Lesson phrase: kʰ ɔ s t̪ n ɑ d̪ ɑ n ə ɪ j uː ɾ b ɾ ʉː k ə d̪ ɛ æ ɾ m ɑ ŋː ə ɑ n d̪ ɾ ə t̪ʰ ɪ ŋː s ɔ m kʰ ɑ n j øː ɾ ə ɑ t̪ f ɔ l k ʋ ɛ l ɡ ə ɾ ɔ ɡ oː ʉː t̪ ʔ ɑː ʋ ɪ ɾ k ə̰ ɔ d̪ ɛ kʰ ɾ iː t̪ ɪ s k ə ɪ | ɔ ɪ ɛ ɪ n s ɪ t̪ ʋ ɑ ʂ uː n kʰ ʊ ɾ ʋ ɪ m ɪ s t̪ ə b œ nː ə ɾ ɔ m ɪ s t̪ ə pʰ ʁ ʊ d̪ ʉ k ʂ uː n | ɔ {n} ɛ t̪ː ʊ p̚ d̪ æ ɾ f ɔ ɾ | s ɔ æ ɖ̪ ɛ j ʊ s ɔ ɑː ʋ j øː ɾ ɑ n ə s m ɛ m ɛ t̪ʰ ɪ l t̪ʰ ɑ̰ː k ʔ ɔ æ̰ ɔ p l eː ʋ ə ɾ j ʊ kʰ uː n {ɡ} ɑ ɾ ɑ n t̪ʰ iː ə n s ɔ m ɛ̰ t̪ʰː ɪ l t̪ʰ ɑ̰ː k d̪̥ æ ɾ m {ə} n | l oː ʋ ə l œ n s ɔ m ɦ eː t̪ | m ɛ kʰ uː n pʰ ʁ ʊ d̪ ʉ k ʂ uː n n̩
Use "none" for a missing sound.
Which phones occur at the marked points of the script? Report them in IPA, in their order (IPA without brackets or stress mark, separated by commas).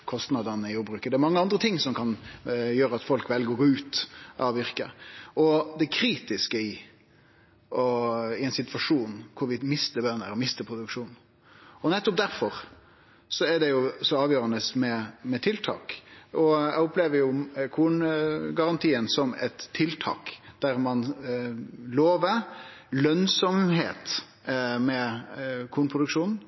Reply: n, ɡ, ɑ